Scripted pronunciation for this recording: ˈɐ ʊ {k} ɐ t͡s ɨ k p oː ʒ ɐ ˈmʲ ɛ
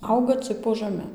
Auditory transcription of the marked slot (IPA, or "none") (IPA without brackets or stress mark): ɡ